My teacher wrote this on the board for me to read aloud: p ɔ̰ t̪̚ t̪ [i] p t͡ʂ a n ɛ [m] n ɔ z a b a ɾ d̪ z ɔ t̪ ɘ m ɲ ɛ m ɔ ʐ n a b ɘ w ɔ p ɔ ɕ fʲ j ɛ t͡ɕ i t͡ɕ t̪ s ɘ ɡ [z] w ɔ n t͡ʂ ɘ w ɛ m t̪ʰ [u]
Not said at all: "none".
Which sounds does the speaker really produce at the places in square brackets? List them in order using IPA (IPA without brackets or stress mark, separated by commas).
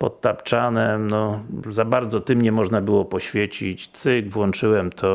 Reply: a, m, v, ɔ